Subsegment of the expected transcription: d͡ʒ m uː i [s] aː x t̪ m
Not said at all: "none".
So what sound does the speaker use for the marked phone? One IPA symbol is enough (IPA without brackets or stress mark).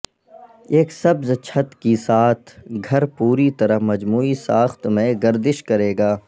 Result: s